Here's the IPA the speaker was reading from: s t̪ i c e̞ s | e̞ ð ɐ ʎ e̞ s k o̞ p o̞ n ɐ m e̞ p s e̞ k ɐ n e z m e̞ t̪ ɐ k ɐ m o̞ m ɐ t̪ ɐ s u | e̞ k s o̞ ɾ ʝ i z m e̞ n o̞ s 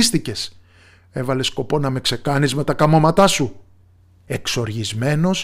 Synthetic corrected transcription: s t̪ i c e̞ s | e̞ v ɐ l e̞ s k o̞ p o̞ n ɐ m e̞ k s e̞ k ɐ n i z m e̞ t̪ ɐ k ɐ m o̞ m ɐ t̪ ɐ s u | e̞ k s o̞ ɾ ʝ i z m e̞ n o̞ s